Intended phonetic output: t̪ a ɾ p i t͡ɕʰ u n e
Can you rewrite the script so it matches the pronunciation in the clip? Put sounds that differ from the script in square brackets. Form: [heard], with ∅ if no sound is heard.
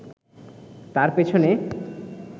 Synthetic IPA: t̪ a ɾ p [e] t͡ɕʰ [o] n e